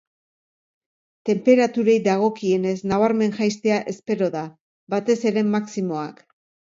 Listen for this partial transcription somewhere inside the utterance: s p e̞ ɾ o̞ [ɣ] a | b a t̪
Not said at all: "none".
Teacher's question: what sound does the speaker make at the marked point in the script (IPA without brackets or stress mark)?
ð